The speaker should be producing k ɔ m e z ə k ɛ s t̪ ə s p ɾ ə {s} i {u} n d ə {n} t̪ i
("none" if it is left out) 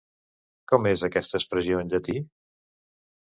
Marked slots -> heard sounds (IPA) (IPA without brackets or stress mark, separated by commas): z, o, none